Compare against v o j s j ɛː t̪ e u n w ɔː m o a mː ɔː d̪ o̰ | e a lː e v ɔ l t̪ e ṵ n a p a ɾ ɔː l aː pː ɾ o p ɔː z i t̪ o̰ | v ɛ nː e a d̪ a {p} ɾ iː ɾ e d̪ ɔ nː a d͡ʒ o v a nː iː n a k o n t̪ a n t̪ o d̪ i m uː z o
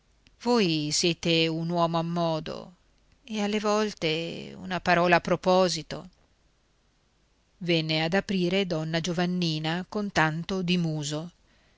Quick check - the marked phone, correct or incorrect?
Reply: correct